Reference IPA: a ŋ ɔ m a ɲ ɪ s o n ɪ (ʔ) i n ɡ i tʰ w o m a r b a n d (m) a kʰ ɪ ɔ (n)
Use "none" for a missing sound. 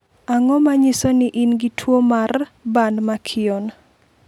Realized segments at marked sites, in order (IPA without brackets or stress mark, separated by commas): ʔ, m, n